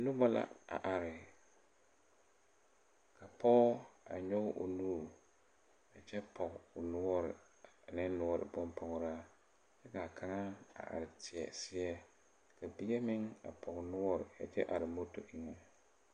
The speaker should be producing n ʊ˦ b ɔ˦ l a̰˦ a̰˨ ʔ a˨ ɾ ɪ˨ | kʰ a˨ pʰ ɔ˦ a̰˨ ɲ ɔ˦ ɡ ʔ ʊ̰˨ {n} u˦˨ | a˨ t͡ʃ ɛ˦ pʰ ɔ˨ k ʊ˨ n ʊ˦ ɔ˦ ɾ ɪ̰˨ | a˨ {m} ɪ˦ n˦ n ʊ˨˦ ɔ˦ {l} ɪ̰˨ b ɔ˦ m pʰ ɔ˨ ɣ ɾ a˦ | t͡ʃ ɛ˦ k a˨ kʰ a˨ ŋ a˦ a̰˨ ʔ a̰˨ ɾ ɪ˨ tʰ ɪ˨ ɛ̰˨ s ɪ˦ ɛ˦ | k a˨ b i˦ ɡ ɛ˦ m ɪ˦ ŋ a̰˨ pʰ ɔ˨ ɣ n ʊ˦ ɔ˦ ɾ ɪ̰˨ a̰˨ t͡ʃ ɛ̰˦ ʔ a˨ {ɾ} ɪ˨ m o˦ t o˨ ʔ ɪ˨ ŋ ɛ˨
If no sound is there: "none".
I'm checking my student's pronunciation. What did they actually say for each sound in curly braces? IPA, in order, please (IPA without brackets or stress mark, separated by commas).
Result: n, n, ɾ, ɾ